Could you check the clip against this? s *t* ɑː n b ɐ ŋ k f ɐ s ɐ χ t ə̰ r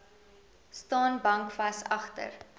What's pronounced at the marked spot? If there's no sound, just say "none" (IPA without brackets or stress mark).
t